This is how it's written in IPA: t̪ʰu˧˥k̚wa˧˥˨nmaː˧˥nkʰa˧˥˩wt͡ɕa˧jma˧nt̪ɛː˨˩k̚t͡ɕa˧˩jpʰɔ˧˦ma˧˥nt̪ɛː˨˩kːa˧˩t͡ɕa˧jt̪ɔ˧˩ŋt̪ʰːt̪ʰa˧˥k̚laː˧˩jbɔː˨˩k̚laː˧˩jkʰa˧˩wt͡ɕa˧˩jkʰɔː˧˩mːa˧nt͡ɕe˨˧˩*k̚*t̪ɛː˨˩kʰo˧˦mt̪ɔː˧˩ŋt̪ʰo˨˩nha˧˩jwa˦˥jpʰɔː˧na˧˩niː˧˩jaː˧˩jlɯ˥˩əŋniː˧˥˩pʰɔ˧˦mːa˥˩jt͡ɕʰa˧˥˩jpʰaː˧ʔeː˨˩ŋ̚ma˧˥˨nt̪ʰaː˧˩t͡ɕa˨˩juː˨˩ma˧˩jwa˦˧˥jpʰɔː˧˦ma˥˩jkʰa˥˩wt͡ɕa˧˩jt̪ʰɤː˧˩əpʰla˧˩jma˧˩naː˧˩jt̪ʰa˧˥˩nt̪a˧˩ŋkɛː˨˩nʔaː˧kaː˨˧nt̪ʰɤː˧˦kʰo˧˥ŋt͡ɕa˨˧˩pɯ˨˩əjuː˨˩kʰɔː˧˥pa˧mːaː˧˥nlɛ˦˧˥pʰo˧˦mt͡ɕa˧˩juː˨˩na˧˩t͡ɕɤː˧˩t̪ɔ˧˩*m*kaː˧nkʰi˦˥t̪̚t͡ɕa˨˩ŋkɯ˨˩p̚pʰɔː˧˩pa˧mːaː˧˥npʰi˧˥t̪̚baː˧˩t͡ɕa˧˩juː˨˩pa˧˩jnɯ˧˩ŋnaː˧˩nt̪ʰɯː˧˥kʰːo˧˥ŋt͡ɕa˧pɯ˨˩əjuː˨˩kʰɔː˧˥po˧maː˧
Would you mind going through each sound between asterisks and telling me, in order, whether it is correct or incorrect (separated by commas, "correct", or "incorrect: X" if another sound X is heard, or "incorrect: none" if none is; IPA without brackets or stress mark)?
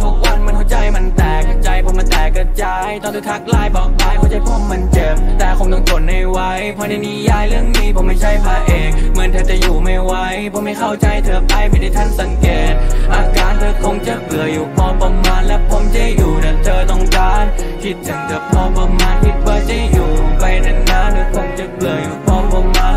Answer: incorrect: p̚, incorrect: ŋ